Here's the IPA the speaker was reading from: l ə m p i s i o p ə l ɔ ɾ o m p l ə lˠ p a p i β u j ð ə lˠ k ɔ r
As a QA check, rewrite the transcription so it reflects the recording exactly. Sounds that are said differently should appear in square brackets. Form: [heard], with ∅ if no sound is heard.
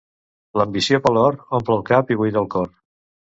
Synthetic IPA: l ə m [b] i s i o p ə l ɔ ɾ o m p l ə lˠ [k] a p i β u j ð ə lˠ k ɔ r